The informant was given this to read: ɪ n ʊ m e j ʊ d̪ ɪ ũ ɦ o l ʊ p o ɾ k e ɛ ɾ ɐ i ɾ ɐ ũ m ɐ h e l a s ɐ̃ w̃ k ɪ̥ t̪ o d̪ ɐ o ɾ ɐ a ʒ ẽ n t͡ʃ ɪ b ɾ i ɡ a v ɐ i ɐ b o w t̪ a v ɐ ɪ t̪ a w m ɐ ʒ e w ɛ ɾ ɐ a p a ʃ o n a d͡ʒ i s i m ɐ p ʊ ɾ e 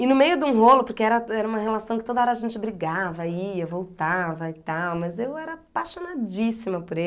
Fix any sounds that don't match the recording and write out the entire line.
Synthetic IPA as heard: ɪ n ʊ m e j ʊ d̪ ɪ ũ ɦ o l ʊ p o ɾ k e ɛ ɾ ɐ ɛ ɾ ɐ ũ m ɐ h e l a s ɐ̃ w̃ k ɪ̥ t̪ o d̪ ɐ ɔ ɾ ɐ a ʒ ẽ n t͡ʃ ɪ b ɾ i ɡ a v ɐ i ɐ v o w t̪ a v ɐ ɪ t̪ a w m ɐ z e w ɛ ɾ ɐ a p a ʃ o n a d͡ʒ i s i m ɐ p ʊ ɾ e